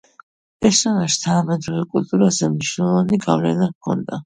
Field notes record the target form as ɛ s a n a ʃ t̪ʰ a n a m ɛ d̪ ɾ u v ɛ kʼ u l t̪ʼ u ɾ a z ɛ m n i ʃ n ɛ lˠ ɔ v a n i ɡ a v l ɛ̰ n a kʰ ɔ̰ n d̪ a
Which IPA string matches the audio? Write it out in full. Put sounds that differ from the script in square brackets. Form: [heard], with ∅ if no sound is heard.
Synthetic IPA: ɛ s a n a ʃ t̪ʰ a n a m ɛ d̪ ɾ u v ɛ kʼ u l t̪ʼ u ɾ a z ɛ m n i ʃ n ɛ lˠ ɔ v a n i ɡ a v l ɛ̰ n a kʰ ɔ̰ n d̪ a